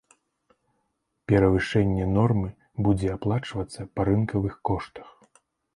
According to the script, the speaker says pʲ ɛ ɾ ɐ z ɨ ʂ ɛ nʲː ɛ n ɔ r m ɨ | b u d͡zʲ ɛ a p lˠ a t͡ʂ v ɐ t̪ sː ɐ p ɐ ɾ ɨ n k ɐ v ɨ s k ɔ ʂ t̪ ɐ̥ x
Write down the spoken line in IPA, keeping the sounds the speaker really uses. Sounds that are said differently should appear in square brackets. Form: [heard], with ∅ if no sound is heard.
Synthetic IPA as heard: pʲ ɛ ɾ ɐ [v] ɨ ʂ ɛ nʲː ɛ n ɔ r m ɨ | b u d͡zʲ ɛ a p lˠ a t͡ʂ v ɐ t̪ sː ɐ p ɐ ɾ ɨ n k ɐ v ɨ [x] k ɔ ʂ t̪ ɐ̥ x